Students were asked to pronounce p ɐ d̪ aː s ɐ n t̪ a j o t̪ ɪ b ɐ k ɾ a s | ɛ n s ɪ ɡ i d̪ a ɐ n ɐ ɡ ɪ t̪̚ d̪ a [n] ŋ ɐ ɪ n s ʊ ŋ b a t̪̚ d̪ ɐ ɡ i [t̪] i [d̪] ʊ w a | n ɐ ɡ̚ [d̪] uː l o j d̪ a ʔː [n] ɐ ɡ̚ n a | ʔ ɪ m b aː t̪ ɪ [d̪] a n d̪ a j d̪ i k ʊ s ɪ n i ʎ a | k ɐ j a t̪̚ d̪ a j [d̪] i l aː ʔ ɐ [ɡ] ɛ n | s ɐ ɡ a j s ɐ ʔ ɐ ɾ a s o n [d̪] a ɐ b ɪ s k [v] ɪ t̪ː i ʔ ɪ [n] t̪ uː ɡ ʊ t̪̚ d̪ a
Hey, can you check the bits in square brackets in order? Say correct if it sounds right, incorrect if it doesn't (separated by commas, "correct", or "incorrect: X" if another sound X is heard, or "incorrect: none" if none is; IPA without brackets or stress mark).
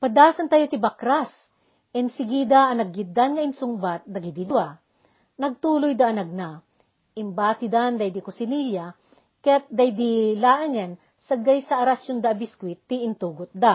correct, incorrect: d̪, correct, incorrect: t̪, correct, correct, correct, incorrect: ŋ, correct, incorrect: w, correct